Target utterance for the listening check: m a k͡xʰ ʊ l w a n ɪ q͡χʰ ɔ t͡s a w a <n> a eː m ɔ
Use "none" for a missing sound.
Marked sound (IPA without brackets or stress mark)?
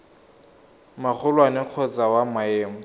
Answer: m